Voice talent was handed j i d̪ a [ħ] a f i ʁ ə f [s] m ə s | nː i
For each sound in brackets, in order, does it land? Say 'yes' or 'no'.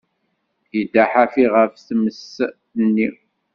yes, no

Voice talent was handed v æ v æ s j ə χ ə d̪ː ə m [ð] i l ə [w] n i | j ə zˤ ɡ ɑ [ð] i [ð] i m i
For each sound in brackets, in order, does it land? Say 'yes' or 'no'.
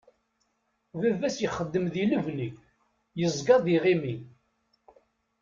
yes, no, yes, no

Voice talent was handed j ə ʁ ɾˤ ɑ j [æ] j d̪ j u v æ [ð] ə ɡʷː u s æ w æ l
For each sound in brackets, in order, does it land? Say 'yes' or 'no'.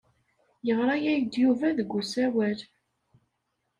yes, yes

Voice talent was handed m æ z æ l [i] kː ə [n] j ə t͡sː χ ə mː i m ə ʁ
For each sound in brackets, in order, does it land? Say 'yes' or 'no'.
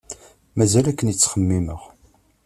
no, yes

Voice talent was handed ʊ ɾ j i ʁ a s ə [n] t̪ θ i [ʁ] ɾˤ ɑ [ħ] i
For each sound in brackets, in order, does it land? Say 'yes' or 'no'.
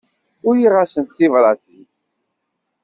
yes, no, no

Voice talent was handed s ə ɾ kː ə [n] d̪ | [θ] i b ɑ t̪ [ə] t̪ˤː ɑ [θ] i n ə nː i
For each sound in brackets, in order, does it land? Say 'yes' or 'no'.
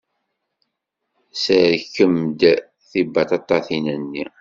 no, yes, no, yes

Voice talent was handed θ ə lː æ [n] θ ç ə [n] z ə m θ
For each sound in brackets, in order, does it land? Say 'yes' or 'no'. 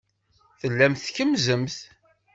no, no

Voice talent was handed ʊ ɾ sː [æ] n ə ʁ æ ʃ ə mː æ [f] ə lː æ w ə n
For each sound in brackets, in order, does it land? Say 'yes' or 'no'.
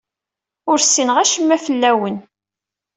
no, yes

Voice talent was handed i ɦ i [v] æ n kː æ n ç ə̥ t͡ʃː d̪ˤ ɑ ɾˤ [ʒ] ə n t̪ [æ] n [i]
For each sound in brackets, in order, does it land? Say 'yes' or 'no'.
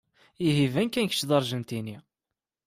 yes, yes, no, yes

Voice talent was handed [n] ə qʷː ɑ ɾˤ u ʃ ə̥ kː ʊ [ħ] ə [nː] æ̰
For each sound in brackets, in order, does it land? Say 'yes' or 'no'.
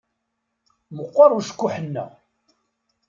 no, yes, yes

